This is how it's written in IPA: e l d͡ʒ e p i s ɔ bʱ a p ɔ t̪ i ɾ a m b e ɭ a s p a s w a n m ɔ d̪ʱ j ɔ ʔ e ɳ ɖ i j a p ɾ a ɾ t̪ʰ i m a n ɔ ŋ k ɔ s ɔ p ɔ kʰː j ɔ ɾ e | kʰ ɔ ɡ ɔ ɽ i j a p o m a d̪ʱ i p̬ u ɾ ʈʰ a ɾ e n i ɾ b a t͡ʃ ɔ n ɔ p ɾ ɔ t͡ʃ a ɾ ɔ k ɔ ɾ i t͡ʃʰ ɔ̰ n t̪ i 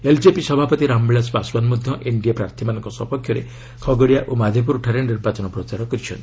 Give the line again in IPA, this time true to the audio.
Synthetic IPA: e l d͡ʒ e p i s ɔ bʱ a p ɔ t̪ i ɾ a m b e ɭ a s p a s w a n m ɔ d̪ʱ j ɔ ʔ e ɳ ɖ i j a p ɾ a ɾ t̪ʰ i m a n ɔ ŋ k ɔ s ɔ p ɔ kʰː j ɔ ɾ e | kʰ ɔ ɡ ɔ ɽ i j a ʔ o m a d̪ʱ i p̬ u ɾ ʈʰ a ɾ e n i ɾ b a t͡ʃ ɔ n ɔ p ɾ ɔ t͡ʃ a ɾ ɔ k ɔ ɾ i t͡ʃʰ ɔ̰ n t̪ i